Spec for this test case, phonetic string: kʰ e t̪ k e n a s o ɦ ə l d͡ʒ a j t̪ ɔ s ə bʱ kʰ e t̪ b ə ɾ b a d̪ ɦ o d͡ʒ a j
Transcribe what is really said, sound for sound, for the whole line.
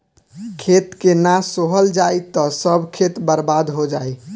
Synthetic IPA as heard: kʰ e t̪ k e n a s o ɦ ə l d͡ʒ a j t̪ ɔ s ə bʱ kʰ e t̪ b ə ɾ b a d̪ ɦ o d͡ʒ a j